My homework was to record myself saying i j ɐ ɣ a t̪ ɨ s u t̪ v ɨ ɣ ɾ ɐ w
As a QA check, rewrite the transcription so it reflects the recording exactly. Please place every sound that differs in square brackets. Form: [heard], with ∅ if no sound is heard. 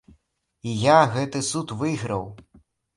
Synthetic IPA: i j [a] ɣ [ɛ] t̪ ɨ s u t̪ v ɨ ɣ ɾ ɐ w